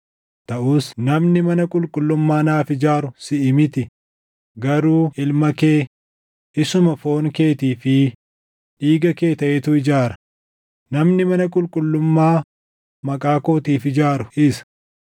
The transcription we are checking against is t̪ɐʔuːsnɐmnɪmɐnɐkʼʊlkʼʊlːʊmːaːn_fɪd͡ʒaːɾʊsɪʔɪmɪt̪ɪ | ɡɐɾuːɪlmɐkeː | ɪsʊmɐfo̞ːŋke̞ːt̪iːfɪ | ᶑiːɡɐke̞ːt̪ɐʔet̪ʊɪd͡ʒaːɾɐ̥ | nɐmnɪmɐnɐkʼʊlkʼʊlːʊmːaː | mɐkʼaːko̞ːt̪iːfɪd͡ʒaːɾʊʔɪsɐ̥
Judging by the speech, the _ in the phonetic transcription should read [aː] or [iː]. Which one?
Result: aː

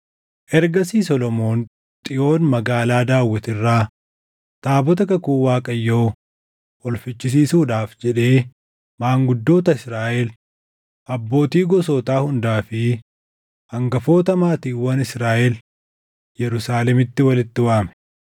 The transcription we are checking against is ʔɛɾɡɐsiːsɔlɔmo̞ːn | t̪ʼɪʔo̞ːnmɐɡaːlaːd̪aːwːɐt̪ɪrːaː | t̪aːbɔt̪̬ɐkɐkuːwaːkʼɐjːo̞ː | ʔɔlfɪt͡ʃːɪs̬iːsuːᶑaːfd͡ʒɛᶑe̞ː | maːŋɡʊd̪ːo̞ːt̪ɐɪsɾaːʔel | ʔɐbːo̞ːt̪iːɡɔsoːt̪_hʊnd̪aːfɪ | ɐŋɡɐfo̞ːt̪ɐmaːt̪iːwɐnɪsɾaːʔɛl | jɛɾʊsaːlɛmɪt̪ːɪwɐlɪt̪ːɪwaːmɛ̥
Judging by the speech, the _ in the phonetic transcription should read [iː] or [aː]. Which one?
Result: aː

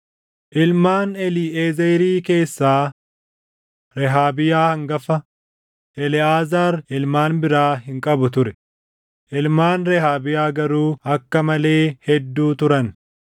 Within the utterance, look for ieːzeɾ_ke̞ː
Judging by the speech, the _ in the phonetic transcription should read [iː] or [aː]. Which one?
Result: iː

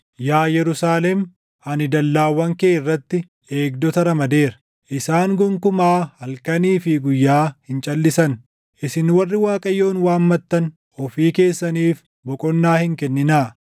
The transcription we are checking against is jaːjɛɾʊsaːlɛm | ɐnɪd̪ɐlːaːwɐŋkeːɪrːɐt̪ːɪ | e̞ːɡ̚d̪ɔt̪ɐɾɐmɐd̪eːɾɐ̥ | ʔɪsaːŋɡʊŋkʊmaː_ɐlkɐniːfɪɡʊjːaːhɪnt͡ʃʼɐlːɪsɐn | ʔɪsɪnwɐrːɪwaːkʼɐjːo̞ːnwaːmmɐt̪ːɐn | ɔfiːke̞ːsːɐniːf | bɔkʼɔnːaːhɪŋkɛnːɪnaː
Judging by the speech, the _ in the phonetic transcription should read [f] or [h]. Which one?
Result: h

